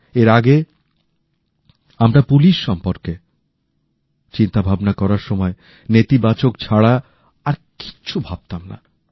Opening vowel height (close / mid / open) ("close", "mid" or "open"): mid